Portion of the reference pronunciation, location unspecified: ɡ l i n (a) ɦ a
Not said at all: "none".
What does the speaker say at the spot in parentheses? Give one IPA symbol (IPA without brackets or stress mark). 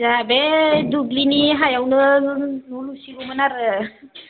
i